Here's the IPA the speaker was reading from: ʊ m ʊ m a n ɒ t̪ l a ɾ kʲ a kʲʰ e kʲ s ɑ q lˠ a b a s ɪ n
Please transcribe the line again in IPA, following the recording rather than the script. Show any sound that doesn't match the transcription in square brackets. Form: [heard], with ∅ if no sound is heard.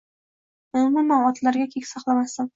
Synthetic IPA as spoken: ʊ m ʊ m a n ɒ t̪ l a ɾ [ɡʲ] a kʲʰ e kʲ s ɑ q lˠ a [m] a s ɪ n